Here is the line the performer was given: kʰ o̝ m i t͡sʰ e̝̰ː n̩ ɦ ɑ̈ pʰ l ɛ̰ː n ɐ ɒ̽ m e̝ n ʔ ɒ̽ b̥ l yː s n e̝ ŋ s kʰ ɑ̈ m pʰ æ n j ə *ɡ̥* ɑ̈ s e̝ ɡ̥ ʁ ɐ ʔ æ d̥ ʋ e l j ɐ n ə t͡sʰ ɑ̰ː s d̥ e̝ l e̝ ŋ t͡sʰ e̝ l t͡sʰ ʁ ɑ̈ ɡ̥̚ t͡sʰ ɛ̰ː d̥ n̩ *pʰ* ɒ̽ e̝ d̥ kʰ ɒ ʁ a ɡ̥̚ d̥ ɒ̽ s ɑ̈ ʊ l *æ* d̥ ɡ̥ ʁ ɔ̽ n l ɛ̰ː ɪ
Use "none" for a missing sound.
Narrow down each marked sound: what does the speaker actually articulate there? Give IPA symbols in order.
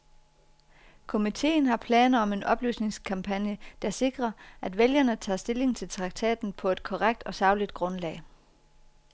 d̥, pʰ, i

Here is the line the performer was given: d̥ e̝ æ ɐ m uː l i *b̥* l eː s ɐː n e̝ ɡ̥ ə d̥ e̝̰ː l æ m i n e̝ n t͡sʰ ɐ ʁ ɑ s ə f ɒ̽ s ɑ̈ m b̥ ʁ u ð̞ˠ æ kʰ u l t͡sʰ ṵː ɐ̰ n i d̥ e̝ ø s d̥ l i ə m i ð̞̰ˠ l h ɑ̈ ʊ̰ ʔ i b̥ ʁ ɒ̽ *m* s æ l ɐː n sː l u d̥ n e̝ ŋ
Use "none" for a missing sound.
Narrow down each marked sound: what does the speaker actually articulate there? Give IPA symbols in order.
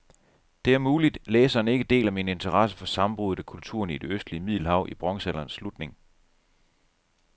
d̥, ŋ

